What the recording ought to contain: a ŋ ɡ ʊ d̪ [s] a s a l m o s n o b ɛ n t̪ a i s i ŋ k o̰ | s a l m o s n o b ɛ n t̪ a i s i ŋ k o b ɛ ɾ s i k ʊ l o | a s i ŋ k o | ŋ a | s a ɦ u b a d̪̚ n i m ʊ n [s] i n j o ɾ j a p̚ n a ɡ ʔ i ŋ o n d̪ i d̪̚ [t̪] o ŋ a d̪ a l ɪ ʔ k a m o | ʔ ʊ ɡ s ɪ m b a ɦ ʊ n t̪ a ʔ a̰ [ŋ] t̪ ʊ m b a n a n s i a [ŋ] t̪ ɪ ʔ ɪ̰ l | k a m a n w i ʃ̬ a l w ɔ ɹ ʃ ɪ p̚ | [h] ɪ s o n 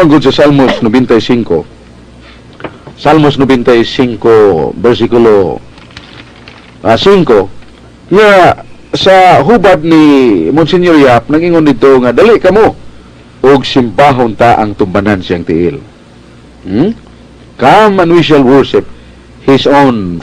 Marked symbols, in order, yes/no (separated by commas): yes, yes, yes, yes, yes, yes